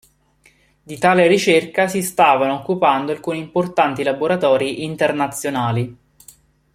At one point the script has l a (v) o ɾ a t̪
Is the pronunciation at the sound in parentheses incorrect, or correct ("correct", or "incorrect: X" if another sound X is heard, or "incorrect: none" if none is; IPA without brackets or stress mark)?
incorrect: b